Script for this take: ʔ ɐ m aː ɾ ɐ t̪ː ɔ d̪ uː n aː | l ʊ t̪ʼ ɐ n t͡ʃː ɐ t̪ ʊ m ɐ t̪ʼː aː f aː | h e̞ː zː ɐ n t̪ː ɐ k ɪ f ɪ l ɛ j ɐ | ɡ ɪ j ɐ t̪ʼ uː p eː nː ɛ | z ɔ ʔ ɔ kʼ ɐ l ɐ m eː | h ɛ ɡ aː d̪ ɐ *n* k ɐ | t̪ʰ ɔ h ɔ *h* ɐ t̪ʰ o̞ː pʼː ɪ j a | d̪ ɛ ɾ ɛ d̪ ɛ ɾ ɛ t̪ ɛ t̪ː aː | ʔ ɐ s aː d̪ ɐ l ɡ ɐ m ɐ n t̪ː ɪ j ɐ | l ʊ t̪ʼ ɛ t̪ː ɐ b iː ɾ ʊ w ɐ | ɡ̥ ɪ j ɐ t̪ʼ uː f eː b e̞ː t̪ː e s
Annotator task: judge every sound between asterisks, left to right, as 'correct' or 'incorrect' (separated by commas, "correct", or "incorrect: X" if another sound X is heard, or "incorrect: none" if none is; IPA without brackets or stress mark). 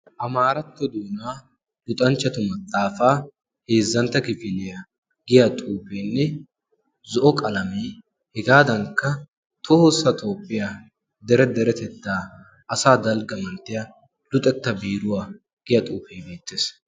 incorrect: ŋ, incorrect: s